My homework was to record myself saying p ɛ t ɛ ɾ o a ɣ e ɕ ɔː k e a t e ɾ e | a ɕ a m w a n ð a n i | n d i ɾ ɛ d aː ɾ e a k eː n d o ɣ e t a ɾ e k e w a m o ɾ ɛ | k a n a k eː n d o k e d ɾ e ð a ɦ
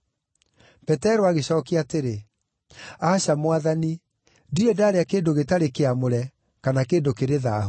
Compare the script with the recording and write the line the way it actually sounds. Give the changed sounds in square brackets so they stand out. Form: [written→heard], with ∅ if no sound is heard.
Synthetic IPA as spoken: p ɛ t ɛ ɾ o a ɣ e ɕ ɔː k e a t e ɾ e | a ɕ a m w a [n→∅] ð a n i | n d i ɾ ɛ d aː ɾ e a k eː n d o ɣ e t a ɾ e k e [w→∅] a m o ɾ ɛ | k a n a k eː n d o k e [d→∅] ɾ e ð a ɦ